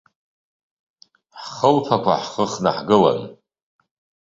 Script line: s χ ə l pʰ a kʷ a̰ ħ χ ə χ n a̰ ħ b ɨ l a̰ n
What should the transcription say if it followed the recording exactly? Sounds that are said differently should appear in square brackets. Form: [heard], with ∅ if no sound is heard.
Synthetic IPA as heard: [ħ] χ ə l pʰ a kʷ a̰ ħ χ ə χ n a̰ ħ [ɡ] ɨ l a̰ n